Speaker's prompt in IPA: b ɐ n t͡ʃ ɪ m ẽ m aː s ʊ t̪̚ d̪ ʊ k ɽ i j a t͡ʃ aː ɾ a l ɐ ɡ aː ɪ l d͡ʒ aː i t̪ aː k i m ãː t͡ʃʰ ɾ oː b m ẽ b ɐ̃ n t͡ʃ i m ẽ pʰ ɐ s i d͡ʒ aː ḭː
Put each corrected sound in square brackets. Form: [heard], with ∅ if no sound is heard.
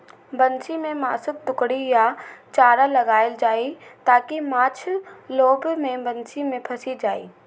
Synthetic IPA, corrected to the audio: b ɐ n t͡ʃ [i] m ẽ m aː s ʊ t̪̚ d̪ ʊ k ɽ i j a t͡ʃ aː ɾ a l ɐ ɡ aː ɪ l d͡ʒ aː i t̪ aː k i m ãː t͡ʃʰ [l] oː b m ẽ b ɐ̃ n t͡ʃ i m ẽ pʰ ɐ s i d͡ʒ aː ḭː